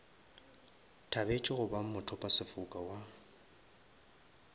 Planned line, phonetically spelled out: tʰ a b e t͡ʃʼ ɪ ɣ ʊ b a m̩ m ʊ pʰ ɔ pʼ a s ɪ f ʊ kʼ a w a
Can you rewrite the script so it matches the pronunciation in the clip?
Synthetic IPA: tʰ a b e t͡ʃʼ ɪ ɣ ʊ b a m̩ m ʊ tʰ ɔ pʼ a s ɪ f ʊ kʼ a w a